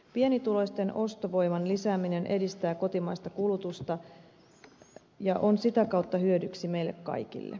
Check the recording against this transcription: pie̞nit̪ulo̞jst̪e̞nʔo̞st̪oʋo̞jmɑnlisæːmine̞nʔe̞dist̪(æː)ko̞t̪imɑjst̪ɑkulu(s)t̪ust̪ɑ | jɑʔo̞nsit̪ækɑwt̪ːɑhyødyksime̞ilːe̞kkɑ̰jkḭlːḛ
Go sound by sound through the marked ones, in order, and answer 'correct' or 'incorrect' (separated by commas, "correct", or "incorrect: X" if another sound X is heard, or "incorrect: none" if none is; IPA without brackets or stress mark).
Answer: correct, incorrect: none